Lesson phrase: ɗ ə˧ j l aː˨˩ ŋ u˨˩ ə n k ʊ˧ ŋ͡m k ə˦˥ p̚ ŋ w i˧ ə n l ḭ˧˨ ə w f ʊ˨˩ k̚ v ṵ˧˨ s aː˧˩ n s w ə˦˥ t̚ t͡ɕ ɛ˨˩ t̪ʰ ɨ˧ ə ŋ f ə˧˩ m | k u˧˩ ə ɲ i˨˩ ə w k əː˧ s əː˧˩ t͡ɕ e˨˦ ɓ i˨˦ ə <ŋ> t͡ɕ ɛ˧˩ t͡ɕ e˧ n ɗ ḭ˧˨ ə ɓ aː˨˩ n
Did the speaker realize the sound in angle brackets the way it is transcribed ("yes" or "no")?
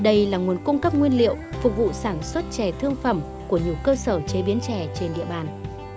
no